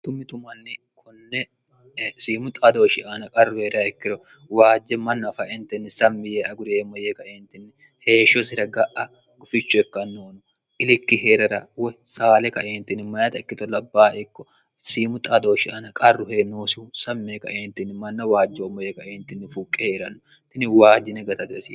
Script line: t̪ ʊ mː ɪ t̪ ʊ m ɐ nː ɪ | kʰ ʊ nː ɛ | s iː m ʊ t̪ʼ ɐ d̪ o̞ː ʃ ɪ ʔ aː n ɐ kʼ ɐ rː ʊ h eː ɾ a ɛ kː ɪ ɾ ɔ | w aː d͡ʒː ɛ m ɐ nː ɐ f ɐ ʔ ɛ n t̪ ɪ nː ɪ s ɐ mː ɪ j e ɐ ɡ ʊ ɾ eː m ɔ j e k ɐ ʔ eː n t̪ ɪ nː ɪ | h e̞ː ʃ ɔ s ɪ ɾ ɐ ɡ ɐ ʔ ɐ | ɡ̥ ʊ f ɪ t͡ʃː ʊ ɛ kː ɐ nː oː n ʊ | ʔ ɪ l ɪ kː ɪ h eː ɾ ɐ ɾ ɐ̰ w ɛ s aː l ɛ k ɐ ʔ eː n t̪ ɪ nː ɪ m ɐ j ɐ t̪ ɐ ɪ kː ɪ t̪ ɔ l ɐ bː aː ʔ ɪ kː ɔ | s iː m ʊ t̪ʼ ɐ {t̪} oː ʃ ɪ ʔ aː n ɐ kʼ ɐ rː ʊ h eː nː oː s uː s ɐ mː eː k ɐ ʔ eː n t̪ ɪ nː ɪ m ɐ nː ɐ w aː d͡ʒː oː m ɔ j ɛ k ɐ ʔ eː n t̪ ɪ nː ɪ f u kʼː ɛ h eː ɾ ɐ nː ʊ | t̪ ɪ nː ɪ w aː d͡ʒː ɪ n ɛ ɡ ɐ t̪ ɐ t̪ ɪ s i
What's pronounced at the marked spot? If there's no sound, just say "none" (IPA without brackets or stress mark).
d̪